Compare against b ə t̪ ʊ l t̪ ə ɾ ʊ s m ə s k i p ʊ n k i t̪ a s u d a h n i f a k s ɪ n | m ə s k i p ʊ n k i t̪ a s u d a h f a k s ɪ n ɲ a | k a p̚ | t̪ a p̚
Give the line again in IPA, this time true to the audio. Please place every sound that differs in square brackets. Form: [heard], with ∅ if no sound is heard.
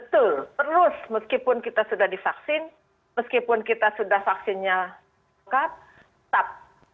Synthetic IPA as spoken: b ə t̪ ʊ l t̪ ə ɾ ʊ s m ə s k i p ʊ n k i t̪ a s u d a h [d] i f a k s ɪ n | m ə s k i p ʊ n k i t̪ a s u d a h f a k s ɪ n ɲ a | k a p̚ | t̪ a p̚

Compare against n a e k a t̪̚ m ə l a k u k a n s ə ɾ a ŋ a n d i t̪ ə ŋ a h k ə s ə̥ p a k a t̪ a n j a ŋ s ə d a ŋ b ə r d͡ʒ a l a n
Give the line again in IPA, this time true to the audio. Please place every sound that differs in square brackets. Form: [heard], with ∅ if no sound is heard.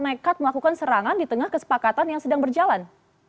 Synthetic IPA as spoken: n a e k a t̪̚ m ə l a k u k a n s ə ɾ a ŋ a n d i t̪ ə ŋ a h k ə s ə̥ p a k a t̪ a n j a ŋ s ə d a ŋ b ə r d͡ʒ a l a n

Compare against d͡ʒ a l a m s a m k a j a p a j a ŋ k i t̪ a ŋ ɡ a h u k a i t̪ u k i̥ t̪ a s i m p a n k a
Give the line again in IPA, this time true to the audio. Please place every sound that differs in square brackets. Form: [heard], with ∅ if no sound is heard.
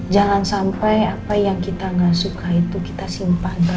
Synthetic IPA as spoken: d͡ʒ a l a [n] s a m [p] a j a p a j a ŋ k i t̪ a ŋ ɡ a [s] u k a i t̪ u k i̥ t̪ a s i m p a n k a

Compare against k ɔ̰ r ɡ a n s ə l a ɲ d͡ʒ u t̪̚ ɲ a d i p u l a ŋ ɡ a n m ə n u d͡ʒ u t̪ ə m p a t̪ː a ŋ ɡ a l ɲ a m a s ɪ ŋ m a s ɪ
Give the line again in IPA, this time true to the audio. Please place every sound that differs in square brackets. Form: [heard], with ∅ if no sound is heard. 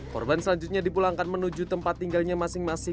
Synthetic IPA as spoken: k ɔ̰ r [b] a n s ə l a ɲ d͡ʒ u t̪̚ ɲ a d i p u l a ŋ [k] a n m ə n u d͡ʒ u t̪ ə m p a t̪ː [i] ŋ ɡ a l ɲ a m a s ɪ ŋ m a s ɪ

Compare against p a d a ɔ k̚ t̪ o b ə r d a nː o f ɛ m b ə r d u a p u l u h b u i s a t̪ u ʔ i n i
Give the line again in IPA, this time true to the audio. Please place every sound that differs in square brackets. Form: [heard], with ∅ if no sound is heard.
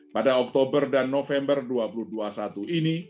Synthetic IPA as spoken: p a d a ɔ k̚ t̪ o b ə r d a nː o f ɛ m b ə r d u a p u l u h [d] u [a] s a t̪ u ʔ i n i

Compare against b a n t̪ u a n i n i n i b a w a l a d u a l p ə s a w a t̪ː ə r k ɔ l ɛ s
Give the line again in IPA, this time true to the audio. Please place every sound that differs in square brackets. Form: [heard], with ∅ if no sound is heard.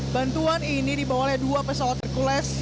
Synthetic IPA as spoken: b a n t̪ u a n i n i [d] i b a w a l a d u a [∅] p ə s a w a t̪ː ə r k [u] l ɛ s

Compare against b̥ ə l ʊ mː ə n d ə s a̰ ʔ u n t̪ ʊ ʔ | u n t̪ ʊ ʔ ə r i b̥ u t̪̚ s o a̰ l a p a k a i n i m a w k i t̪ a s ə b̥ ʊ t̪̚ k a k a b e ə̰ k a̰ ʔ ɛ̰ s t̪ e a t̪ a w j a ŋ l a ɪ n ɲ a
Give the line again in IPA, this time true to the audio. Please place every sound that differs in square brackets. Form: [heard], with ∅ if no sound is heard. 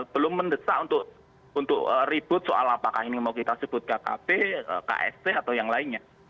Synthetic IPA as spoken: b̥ ə l ʊ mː ə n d ə s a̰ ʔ u n t̪ ʊ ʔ | u n t̪ ʊ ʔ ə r i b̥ [ʊ] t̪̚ s o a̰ l a p a k a i n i m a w k i t̪ a s ə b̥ ʊ t̪̚ k a k a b e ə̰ k a̰ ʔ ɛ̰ s t̪ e a t̪ a w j a ŋ l a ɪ n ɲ a

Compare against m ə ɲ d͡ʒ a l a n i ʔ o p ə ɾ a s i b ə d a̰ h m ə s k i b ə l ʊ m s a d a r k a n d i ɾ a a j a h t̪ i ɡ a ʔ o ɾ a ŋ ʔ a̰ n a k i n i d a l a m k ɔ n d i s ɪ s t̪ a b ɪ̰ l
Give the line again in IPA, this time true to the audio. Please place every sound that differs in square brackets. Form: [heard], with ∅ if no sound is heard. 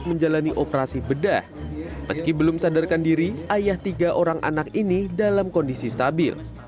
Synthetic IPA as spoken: m ə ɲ d͡ʒ a l a n i ʔ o p ə ɾ a s i b ə d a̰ h m ə s k i b ə l ʊ m s a d a r k a n d i ɾ [i] a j a h t̪ i ɡ a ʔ o ɾ a ŋ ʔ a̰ n a k i n i d a l a m k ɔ n d i s [i] s t̪ a b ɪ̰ l

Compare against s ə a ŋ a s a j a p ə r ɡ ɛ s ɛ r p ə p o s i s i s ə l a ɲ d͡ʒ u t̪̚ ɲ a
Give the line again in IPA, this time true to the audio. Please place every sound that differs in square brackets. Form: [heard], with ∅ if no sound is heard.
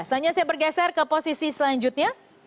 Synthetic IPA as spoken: s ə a [ɲ] a s a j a [b] ə r ɡ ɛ s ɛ r [k] ə p o s i s i s ə l a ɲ d͡ʒ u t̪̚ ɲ a

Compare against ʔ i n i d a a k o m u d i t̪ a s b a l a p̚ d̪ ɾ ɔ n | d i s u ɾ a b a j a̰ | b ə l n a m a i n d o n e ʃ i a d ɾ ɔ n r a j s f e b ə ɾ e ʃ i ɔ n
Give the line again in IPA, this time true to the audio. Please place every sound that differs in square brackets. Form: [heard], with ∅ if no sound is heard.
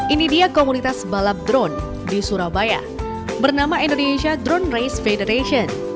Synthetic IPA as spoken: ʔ i n i d [i] a k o m u [n] i t̪ a s b a l a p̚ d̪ ɾ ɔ n | d i s u ɾ a b a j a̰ | b ə [r] n a m a i n d o n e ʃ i a d ɾ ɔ n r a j s f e [d] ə ɾ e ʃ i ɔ n

